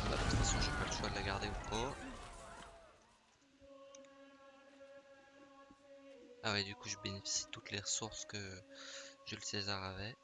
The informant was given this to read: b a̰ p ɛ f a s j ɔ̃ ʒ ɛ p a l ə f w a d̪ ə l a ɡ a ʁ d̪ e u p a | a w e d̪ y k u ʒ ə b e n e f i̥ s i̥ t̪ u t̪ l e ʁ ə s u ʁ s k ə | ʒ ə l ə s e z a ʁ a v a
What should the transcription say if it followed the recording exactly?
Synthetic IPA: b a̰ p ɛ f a s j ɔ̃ ʒ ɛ p a l ə ʃ w a d̪ ə l a ɡ a ʁ d̪ e u p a | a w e d̪ y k u ʒ ə b e n e f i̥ s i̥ t̪ u t̪ l e ʁ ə s u ʁ s k ə | ʒ ə l ə s e z a ʁ a v ɛ